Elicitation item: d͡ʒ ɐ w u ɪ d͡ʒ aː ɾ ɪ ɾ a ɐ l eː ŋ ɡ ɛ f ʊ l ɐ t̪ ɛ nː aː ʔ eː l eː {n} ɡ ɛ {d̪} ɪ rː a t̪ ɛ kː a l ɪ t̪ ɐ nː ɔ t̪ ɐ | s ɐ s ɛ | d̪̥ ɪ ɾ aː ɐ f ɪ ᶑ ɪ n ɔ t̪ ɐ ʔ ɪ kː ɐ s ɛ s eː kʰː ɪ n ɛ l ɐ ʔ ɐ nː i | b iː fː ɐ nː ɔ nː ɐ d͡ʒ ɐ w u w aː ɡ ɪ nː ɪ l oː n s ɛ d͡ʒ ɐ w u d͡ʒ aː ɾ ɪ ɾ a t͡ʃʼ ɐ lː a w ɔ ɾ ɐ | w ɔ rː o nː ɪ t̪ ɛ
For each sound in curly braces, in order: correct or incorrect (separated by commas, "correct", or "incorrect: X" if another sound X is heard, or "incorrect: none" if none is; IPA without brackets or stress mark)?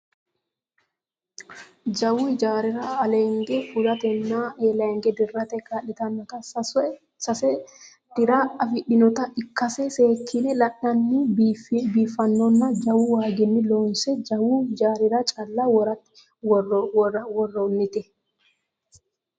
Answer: incorrect: ŋ, correct